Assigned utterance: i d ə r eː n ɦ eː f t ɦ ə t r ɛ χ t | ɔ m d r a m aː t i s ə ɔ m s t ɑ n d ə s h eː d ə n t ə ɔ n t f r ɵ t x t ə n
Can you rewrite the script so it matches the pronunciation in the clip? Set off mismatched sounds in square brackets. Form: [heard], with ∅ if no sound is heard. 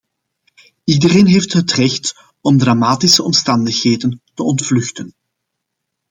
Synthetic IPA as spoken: i d ə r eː n ɦ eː f t ɦ ə t r ɛ [x] t | ɔ m d r a m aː t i s ə ɔ m s t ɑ n d ə [x] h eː d ə n t ə ɔ n t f [l] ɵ [∅] x t ə n